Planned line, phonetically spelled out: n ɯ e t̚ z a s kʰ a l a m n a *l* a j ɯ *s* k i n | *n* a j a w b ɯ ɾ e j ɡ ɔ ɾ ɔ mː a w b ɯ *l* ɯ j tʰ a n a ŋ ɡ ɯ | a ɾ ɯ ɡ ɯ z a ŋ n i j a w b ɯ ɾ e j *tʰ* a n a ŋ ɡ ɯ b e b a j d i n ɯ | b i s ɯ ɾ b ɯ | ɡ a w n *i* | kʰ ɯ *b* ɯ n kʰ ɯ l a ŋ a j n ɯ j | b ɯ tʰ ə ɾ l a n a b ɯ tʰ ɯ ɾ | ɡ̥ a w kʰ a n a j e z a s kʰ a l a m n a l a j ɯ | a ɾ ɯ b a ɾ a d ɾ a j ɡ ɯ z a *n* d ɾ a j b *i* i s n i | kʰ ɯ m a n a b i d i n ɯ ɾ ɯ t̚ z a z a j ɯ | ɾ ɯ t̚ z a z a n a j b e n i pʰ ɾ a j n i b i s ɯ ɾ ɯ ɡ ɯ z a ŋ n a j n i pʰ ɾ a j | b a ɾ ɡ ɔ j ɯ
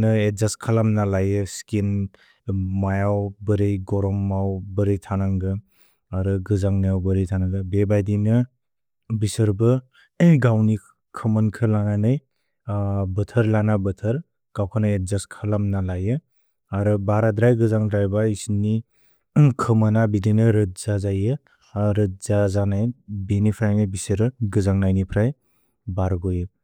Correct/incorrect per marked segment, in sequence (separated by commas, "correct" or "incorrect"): correct, correct, incorrect, incorrect, correct, correct, incorrect, incorrect, incorrect